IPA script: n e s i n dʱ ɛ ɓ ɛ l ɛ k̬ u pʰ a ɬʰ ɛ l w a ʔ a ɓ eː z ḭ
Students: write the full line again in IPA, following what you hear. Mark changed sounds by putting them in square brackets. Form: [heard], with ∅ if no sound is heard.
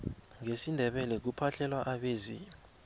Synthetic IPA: [ŋ] e s i n dʱ ɛ ɓ ɛ l ɛ k̬ u pʰ a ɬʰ ɛ l w a ʔ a ɓ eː z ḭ